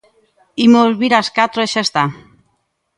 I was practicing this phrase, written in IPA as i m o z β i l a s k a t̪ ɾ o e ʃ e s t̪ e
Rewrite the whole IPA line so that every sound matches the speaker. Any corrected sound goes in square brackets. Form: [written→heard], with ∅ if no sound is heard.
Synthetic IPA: i m o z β i [l→ɾ] a s k a t̪ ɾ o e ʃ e s t̪ [e→a]